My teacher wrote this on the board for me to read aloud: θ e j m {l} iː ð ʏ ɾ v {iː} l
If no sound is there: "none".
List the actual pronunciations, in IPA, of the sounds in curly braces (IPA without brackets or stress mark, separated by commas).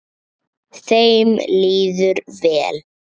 l, ɛː